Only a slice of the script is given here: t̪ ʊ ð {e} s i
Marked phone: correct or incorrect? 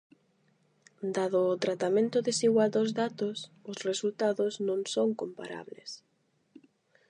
correct